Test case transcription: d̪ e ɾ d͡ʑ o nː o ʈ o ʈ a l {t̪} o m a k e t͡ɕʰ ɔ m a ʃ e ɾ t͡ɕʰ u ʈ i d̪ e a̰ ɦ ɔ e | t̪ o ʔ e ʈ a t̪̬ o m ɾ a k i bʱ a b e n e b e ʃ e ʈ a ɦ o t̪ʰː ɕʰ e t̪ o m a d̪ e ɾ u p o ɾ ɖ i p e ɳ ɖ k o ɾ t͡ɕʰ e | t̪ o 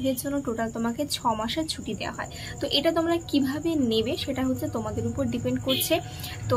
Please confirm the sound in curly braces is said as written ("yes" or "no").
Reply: yes